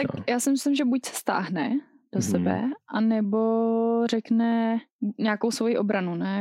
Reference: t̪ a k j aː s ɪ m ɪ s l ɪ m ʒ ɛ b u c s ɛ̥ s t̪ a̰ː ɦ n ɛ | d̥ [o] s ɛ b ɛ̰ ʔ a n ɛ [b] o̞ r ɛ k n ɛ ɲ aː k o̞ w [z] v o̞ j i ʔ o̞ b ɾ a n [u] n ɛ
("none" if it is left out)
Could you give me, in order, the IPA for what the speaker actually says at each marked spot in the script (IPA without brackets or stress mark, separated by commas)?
o, b, s, u